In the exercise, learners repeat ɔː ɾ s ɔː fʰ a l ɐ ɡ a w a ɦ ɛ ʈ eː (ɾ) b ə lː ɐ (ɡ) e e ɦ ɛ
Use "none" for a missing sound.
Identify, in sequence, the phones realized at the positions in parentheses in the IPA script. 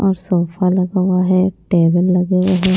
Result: none, ɡ

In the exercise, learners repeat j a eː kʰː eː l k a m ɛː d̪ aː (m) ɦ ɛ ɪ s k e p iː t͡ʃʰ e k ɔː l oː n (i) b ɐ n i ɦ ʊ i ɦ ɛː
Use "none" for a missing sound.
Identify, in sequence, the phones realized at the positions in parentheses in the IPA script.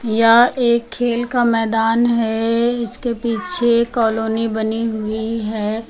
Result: n, i

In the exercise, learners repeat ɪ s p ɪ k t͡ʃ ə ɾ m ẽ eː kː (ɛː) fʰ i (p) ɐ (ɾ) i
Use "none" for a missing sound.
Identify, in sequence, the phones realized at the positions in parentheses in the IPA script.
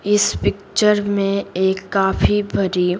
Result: aː, b, ɾ

